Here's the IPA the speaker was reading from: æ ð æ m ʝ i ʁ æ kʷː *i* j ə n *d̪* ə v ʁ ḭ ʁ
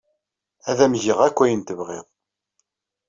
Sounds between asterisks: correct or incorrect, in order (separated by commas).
incorrect, incorrect